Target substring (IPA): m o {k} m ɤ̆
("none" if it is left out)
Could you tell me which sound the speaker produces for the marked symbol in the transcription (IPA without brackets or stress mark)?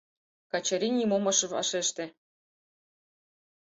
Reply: none